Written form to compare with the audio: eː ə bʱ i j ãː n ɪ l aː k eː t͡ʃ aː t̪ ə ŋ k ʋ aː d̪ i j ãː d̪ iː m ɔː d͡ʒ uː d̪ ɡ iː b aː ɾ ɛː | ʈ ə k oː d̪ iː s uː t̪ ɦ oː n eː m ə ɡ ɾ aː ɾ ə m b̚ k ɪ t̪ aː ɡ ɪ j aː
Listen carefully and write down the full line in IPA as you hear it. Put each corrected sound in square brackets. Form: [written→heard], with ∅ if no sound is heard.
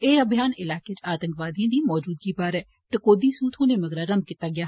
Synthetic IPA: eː ə bʱ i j [ãː→aː] n ɪ l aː k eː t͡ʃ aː t̪ ə ŋ k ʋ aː d̪ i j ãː d̪ iː m ɔː d͡ʒ uː d̪ ɡ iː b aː ɾ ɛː | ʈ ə k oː d̪ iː s uː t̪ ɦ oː n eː m ə ɡ ɾ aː ɾ ə m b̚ k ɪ t̪ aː ɡ ɪ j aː